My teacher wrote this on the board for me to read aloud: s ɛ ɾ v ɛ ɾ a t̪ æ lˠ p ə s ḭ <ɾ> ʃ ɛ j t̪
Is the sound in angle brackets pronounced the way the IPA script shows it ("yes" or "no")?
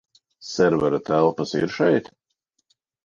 yes